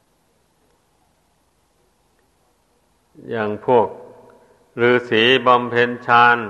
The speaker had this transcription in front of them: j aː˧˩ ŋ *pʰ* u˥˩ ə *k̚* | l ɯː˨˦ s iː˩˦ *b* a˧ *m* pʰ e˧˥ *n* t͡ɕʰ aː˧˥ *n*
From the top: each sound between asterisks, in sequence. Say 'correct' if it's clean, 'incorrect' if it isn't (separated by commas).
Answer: correct, correct, correct, correct, correct, correct